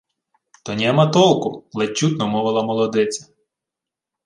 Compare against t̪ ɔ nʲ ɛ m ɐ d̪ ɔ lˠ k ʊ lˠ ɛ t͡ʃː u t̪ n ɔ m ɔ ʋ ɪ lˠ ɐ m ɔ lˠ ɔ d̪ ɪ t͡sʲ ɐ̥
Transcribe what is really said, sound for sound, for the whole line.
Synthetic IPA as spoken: t̪ ɔ nʲ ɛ m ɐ t̪ ɔ lˠ k ʊ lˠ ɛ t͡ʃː u t̪ n ɔ m ɔ ʋ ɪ lˠ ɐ m ɔ lˠ ɔ d̪ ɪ t͡sʲ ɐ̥